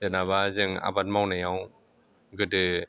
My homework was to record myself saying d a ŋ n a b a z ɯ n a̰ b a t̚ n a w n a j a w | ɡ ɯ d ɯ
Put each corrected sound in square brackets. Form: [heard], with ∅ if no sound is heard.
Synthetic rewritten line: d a [∅] n a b a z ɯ [ŋ] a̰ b a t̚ [m] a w n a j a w | ɡ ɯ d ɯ